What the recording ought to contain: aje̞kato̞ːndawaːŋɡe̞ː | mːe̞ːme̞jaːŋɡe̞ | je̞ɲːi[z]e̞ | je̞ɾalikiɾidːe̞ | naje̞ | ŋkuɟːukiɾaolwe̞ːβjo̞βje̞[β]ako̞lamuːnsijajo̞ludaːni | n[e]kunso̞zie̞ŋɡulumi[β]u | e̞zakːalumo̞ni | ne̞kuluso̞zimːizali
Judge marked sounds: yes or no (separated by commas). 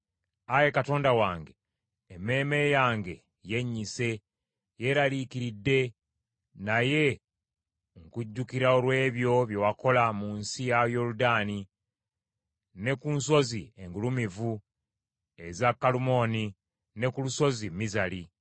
no, no, yes, no